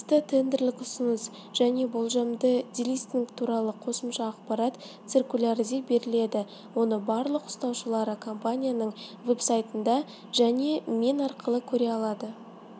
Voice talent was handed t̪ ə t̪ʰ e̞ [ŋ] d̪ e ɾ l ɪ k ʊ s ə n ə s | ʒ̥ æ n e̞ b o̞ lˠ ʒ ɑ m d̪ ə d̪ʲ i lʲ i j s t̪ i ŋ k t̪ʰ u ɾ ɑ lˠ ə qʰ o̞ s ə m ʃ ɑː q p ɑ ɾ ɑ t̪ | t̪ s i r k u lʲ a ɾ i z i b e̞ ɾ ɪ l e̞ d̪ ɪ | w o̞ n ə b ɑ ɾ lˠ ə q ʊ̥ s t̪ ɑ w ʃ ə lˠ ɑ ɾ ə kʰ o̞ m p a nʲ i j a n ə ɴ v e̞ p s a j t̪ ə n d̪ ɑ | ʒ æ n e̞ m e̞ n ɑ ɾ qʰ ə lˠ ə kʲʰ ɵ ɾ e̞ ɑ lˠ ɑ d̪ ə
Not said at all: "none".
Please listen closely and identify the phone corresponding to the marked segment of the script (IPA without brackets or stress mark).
n